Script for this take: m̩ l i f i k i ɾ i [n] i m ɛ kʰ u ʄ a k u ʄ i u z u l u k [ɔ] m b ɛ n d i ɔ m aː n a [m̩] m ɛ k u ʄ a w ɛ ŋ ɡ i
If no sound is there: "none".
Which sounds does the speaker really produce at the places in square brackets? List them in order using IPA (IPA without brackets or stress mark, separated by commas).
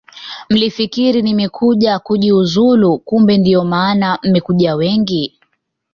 n, u, m̩